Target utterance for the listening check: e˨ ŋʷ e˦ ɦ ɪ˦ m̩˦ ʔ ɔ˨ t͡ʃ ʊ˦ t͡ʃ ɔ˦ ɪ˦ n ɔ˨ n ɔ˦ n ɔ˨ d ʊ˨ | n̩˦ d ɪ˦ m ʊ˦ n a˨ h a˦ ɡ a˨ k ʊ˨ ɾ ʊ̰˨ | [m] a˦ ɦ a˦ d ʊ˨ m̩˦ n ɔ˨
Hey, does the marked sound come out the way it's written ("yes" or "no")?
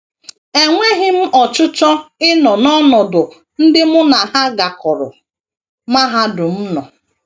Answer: yes